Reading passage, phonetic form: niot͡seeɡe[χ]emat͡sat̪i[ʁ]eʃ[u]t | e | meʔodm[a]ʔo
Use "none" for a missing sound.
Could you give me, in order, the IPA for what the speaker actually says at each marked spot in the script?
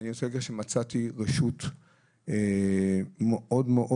ʃ, ʁ, u, e

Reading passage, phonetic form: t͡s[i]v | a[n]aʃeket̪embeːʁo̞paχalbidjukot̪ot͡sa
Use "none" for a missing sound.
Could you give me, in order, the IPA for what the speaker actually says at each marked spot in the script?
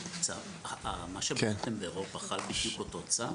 a, m

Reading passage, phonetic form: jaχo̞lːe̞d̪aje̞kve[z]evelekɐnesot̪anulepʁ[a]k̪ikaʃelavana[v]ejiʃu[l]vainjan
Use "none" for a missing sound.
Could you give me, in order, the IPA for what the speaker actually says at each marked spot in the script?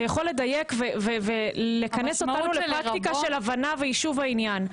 v, a, v, none

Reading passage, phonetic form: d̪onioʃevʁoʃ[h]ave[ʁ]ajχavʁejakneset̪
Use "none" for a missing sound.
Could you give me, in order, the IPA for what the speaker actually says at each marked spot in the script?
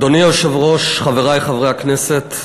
χ, ʁ

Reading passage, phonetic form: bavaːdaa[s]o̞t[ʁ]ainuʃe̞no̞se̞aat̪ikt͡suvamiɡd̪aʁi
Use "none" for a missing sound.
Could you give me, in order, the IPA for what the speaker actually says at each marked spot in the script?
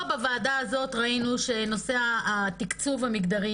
z, ʁ

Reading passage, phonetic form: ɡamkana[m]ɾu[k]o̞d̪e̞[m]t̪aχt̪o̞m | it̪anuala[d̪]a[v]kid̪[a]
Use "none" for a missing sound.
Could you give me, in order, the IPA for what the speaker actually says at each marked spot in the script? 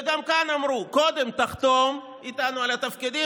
m, k, m, t̪, f, i

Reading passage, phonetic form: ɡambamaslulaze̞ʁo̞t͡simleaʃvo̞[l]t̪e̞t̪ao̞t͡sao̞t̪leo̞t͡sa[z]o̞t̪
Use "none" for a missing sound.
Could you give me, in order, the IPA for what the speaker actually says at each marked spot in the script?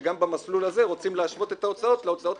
none, none

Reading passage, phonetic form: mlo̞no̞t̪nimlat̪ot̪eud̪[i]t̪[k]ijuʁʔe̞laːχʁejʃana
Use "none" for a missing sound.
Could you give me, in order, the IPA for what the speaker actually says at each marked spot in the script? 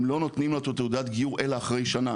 a, ɡ

